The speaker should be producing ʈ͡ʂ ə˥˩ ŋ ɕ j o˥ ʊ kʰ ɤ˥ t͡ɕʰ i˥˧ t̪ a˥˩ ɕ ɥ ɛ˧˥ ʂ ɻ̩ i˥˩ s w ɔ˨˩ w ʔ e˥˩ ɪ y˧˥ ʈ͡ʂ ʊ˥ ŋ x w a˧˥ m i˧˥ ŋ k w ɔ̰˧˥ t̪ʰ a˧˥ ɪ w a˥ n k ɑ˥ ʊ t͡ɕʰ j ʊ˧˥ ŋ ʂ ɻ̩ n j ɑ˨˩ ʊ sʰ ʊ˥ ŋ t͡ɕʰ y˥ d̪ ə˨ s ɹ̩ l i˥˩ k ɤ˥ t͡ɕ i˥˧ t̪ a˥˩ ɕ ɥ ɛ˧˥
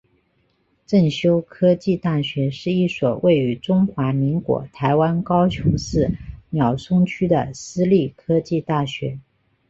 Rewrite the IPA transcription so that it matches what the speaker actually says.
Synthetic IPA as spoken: ʈ͡ʂ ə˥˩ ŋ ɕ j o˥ ʊ kʰ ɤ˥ t͡ɕ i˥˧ t̪ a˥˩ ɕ ɥ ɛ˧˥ ʂ ɻ̩ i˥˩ s w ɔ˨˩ w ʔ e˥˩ ɪ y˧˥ ʈ͡ʂ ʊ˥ ŋ x w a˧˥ m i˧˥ ŋ k w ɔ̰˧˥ t̪ʰ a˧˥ ɪ w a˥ n k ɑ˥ ʊ t͡ɕʰ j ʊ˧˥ ŋ ʂ ɻ̩ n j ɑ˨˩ ʊ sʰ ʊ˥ ŋ t͡ɕʰ y˥ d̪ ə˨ s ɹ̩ l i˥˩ kʰ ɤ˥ t͡ɕ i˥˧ t̪ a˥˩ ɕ ɥ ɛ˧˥

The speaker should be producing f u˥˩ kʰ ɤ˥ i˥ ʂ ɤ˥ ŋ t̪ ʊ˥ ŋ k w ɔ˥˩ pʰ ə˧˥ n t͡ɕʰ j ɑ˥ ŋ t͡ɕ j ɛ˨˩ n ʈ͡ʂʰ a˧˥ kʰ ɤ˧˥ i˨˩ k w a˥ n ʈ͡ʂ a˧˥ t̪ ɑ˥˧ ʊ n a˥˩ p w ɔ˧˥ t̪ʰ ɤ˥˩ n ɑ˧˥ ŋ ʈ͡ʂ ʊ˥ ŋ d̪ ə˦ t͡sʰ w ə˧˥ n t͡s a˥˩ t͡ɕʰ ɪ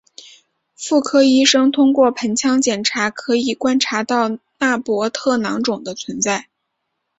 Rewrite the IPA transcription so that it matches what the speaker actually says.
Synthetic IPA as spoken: f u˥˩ kʰ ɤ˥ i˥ ʂ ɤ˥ ŋ t̪ʰ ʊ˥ ŋ k w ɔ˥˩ pʰ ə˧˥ n t͡ɕʰ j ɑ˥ ŋ t͡ɕ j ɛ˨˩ n ʈ͡ʂʰ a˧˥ kʰ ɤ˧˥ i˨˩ k w a˥ n ʈ͡ʂʰ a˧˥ t̪ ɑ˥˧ ʊ n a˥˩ p w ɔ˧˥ t̪ʰ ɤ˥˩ n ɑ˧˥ ŋ ʈ͡ʂ ʊ˨˩ ŋ d̪ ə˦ t͡sʰ w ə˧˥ n t͡s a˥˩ ɪ

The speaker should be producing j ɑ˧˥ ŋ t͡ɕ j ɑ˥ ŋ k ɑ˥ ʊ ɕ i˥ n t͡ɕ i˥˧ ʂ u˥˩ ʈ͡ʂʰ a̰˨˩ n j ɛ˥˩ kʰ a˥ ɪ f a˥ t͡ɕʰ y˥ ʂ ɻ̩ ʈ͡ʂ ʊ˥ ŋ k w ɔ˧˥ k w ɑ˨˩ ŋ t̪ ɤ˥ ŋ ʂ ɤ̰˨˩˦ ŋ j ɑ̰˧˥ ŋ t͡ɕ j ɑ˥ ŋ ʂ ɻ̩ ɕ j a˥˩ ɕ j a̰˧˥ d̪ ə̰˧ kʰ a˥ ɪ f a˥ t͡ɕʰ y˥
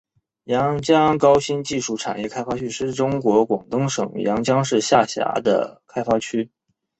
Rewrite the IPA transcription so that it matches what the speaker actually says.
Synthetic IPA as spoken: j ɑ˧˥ ŋ t͡ɕ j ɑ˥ ŋ k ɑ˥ ʊ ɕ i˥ n t͡ɕ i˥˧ ʂ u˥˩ ʈ͡ʂʰ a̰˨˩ n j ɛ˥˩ kʰ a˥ ɪ f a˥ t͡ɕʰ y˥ ʂ ɻ̩ ʈ͡ʂ ʊ˥ ŋ k w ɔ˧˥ k w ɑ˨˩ ŋ t̪ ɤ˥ ŋ ʂ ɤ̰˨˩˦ ŋ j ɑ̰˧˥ ŋ t͡ɕ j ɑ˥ ŋ ʂ ɻ̩ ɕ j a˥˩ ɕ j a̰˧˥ d̪ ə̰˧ kʰ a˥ ɪ f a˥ t͡ɕʰ y˥

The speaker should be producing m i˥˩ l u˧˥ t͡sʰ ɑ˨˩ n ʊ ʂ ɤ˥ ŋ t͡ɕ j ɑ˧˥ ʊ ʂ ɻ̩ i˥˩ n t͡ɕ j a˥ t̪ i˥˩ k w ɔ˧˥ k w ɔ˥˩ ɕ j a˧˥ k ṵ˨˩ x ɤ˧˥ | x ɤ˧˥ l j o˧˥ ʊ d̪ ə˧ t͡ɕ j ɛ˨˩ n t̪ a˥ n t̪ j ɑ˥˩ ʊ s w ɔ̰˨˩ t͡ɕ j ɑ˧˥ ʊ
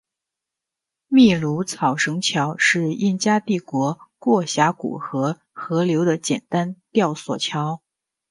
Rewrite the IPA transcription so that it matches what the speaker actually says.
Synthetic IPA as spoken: m i˥˩ l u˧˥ t͡sʰ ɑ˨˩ ʊ ʂ ɤ˧˥ ŋ t͡ɕʰ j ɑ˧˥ ʊ ʂ ɻ̩ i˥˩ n t͡ɕ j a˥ t̪ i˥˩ k w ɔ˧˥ k w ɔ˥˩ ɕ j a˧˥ k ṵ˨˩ x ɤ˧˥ | x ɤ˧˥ l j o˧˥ ʊ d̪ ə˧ t͡ɕ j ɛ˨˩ n t̪ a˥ n t̪ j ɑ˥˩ ʊ s w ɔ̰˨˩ t͡ɕʰ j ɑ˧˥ ʊ

